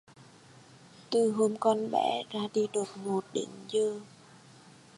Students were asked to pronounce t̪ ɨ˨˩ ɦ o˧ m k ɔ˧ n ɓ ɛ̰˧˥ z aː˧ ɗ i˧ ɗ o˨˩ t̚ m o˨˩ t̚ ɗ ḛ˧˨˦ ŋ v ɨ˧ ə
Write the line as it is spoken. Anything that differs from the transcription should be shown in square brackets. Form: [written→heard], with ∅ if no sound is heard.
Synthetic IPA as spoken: t̪ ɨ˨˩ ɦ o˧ m k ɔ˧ n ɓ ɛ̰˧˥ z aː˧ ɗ i˧ ɗ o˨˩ t̚ m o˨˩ t̚ ɗ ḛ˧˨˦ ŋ [v→z] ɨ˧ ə